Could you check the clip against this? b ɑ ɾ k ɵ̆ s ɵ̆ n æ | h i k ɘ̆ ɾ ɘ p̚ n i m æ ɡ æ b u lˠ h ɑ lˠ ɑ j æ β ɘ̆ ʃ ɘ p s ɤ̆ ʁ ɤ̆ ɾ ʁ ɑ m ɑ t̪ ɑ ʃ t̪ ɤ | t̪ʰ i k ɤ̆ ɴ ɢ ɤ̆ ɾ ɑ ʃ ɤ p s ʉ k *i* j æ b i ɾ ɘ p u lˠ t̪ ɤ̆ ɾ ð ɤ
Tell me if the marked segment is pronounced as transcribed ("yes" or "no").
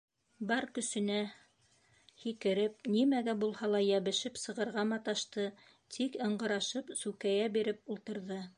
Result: no